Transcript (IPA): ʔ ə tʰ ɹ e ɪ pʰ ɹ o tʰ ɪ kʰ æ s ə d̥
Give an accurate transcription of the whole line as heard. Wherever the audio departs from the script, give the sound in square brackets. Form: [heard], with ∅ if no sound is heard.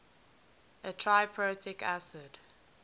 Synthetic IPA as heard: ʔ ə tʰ ɹ [a] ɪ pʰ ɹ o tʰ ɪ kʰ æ s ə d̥